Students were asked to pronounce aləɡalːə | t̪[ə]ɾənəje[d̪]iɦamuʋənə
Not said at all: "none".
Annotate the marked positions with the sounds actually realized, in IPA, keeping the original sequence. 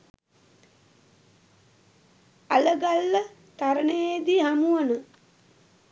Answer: a, d̪

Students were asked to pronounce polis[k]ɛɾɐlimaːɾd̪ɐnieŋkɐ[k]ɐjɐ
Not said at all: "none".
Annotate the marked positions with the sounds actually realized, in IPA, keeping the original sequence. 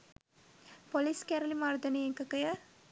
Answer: k, k

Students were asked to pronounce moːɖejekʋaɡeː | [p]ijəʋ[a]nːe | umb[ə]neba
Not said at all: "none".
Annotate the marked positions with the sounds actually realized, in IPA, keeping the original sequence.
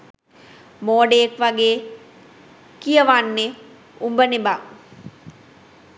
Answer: k, a, ə

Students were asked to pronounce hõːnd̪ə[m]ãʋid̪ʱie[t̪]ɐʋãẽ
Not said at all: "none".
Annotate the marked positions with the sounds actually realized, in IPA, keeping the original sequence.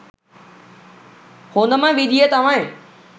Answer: m, t̪

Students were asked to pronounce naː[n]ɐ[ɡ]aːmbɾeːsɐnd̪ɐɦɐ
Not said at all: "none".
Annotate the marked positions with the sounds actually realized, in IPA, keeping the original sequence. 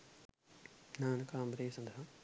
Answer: n, k

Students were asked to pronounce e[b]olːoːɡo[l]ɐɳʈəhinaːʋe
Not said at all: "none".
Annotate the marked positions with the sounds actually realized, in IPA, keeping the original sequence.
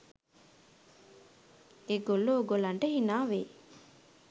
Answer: ɡ, l

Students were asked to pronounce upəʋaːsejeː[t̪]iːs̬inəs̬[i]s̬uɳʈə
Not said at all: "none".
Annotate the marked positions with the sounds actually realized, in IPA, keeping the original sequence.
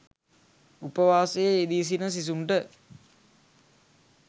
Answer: d̪, i

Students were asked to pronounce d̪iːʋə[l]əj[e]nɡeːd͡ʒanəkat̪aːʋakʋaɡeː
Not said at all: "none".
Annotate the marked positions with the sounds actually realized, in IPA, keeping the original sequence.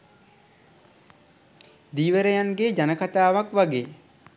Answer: ɾ, a

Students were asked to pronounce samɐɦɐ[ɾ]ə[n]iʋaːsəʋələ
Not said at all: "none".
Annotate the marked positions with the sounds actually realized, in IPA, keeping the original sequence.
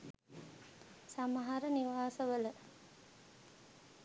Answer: ɾ, n

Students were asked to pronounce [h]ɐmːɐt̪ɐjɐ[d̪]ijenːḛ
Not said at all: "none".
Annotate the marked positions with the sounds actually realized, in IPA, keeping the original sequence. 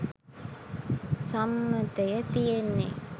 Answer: s, t̪

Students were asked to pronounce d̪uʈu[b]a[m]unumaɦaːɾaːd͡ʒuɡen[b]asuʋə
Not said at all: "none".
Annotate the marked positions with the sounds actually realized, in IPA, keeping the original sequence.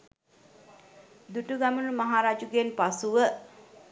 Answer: ɡ, m, p

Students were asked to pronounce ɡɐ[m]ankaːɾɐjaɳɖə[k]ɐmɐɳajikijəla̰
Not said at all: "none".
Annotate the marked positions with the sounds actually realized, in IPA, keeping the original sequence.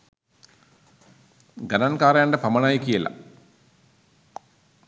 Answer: n, p

